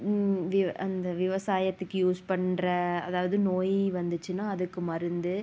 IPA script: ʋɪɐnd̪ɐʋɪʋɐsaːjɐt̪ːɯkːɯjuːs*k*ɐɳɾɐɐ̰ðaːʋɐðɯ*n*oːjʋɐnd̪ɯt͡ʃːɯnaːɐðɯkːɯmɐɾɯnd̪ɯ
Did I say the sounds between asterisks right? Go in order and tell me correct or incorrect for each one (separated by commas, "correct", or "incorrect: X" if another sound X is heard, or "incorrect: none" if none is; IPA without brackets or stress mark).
incorrect: p, correct